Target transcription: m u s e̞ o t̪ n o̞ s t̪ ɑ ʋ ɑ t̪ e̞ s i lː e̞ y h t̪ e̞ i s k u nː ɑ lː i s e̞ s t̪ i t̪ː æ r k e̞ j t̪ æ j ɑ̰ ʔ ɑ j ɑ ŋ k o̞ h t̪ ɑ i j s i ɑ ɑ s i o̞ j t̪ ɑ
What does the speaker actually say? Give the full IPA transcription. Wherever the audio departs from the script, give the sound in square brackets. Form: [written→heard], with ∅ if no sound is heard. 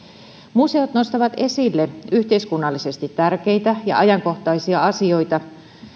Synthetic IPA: m u s e̞ o t̪ n o̞ s t̪ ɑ ʋ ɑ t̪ e̞ s i lː e̞ y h t̪ e̞ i s k u nː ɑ lː i s e̞ s t̪ i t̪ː æ r k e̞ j t̪ æ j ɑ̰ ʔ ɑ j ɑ ŋ k o̞ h t̪ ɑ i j s i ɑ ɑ s i o̞ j t̪ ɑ